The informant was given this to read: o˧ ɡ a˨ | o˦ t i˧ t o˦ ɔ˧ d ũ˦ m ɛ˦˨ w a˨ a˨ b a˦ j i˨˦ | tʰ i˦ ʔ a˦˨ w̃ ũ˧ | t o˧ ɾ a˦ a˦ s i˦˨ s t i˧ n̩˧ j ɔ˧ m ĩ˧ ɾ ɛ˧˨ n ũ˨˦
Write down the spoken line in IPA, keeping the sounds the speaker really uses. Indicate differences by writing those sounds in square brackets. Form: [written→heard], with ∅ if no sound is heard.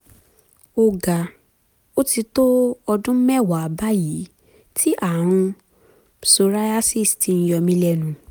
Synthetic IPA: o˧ ɡ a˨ | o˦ t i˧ t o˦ ɔ˧ d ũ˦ m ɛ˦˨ w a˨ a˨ b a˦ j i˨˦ | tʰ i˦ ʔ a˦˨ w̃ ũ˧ | [t→s] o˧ ɾ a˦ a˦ s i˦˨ s t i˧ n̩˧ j ɔ˧ m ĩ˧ [ɾ→l] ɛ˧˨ n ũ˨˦